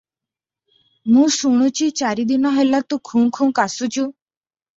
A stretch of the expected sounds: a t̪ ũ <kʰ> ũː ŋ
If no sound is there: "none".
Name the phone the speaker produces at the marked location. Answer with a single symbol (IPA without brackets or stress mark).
kʰ